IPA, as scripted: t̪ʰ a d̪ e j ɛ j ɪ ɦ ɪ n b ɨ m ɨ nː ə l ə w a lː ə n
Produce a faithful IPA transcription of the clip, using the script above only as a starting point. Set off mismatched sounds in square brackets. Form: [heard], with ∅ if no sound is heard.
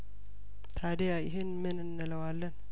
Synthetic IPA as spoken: t̪ʰ a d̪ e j [a] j ɪ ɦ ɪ n [m] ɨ [n] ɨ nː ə l ə w a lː ə n

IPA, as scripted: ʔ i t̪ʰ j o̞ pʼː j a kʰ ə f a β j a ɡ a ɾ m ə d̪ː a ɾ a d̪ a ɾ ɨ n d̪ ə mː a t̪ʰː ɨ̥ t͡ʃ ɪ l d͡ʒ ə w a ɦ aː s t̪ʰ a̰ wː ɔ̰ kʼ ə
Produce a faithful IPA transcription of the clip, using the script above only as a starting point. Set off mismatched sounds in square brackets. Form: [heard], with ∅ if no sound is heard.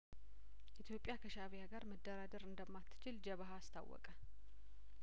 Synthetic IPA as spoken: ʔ i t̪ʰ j o̞ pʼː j a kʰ ə [ʃ] a β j a ɡ a ɾ m ə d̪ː [ə] ɾ a d̪ [ə] ɾ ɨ n d̪ ə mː a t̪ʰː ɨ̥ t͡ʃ ɪ l d͡ʒ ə [β] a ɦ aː s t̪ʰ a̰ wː ɔ̰ kʼ ə

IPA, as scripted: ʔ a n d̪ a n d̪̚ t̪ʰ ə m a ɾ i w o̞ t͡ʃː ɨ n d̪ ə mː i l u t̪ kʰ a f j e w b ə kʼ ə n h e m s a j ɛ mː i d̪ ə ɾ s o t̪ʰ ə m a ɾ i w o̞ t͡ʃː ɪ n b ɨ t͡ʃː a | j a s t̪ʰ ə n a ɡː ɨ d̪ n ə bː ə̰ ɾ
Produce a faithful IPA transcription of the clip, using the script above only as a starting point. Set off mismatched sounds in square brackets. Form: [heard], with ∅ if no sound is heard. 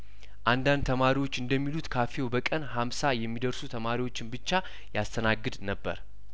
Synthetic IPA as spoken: ʔ a n d̪ a n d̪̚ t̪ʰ ə m a ɾ i w o̞ t͡ʃː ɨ n d̪ ə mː i l u t̪ kʰ a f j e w b ə kʼ ə n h [a] m s a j ɛ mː i d̪ ə ɾ s [u] t̪ʰ ə m a ɾ i w o̞ t͡ʃː ɪ n b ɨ t͡ʃː a | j a s t̪ʰ ə n a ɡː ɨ d̪ n ə bː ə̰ ɾ

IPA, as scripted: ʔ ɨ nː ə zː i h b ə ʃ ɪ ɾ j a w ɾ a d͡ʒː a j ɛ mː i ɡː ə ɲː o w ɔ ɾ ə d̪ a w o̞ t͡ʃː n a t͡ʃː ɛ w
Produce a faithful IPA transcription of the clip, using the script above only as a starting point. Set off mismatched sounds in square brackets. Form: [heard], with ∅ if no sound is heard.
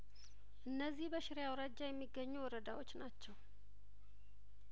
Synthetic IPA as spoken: ʔ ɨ nː ə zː i h b ə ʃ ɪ ɾ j a w ɾ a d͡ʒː a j ɛ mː i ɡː ə ɲː [u] w ɔ ɾ ə d̪ a w o̞ t͡ʃː n a t͡ʃː ɛ w

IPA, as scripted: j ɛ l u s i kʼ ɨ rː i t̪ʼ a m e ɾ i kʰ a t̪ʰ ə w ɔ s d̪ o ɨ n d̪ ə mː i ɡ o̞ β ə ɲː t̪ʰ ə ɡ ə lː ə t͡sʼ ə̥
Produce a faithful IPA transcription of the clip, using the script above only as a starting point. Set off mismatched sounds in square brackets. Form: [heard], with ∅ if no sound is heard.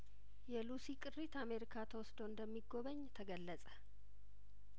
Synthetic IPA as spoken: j ɛ l u s i kʼ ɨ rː i [t̪] a m e ɾ i kʰ a t̪ʰ ə w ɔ s d̪ o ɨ n d̪ ə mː i ɡ o̞ β ə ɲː t̪ʰ ə ɡ ə lː ə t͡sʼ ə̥

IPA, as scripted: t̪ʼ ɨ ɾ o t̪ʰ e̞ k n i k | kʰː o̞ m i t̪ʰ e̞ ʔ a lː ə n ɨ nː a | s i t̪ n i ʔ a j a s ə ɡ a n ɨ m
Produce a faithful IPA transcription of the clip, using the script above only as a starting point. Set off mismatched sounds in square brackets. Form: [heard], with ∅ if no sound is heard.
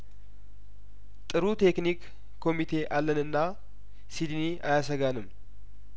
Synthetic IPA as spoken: t̪ʼ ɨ ɾ [u] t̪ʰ e̞ k n i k | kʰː o̞ m i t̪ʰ e̞ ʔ a lː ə n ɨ nː a | s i [d̪] n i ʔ a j a s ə ɡ a n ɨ m

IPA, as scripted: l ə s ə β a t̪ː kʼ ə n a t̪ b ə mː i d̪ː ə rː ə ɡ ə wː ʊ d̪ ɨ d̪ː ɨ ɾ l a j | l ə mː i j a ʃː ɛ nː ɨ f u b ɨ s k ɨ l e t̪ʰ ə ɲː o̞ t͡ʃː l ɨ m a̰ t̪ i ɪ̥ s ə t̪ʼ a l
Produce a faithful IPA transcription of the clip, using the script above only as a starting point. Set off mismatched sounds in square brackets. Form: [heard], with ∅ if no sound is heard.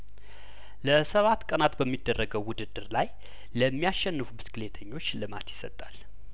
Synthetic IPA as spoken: l ə s ə β a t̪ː kʼ ə n a t̪ b ə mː i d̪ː ə rː ə ɡ ə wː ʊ d̪ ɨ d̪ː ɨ ɾ l a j | l ə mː i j a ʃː ɛ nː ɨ f u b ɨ s k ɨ l e t̪ʰ ə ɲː o̞ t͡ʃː l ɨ m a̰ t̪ [j] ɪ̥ s ə t̪ʼ a l

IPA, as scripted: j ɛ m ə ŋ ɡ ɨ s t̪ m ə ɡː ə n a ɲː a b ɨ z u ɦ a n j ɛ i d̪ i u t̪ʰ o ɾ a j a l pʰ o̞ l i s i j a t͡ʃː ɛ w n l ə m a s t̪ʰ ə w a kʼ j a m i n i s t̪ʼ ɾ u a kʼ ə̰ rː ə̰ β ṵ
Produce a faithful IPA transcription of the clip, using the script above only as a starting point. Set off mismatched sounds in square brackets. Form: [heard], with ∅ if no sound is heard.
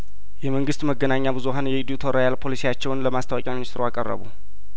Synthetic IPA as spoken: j ɛ m ə ŋ ɡ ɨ s t̪ m ə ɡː ə n a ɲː a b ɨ z u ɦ a n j ɛ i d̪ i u t̪ʰ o ɾ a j a l pʰ o̞ l i s i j a t͡ʃː ɛ w n l ə m a s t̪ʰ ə w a kʼ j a m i n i s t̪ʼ ɾ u a kʼ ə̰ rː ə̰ β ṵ

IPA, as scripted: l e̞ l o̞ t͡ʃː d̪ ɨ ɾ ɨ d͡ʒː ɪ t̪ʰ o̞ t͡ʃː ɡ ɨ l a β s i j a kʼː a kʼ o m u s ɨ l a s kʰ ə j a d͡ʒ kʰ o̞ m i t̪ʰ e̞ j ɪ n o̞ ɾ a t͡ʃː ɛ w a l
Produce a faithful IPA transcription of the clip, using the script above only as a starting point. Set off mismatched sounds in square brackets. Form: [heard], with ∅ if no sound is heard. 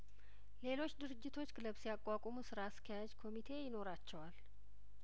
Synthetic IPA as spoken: l e̞ l o̞ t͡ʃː d̪ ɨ ɾ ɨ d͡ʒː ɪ t̪ʰ o̞ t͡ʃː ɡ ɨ l [ə] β s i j a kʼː a kʼ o m u s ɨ [ɾ] a s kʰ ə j a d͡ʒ kʰ o̞ m i t̪ʰ e̞ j ɪ n o̞ ɾ a t͡ʃː ɛ w a l

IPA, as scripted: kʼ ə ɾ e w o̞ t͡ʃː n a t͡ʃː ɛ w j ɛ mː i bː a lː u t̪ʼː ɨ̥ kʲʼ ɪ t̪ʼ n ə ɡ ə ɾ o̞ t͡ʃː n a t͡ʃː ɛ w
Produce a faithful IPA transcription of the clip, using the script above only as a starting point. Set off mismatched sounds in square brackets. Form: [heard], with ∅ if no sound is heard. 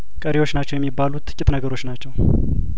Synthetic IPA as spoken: kʼ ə ɾ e w o̞ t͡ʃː n a t͡ʃː ɛ w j ɛ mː i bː a [l] u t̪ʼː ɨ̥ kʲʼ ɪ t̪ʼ n ə ɡ ə ɾ o̞ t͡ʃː n a t͡ʃː ɛ w

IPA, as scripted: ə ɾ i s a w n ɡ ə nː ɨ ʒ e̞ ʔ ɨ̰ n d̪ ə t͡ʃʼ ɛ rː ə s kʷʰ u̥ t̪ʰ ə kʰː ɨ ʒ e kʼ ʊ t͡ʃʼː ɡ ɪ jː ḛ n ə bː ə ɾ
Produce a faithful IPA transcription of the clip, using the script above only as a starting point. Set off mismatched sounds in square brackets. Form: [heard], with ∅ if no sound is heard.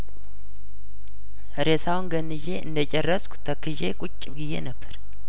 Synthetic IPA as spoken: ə ɾ [e] s a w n ɡ ə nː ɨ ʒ e̞ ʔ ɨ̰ n d̪ ə t͡ʃʼ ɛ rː ə s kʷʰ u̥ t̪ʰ ə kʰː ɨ ʒ e kʼ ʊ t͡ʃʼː ɡ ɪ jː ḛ n ə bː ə ɾ

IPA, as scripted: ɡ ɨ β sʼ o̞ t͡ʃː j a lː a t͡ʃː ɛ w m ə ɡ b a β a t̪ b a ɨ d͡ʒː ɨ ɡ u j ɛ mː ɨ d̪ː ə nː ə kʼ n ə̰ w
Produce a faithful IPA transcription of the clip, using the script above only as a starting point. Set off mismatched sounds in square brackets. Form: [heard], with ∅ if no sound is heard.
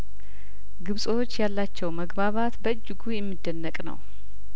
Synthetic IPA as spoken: ɡ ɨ β sʼ o̞ t͡ʃː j a lː a t͡ʃː ɛ w m ə ɡ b a β a t̪ b [ə] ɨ d͡ʒː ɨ ɡ u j ɛ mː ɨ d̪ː ə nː ə kʼ n ə̰ w

